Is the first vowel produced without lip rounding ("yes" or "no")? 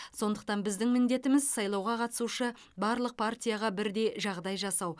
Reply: no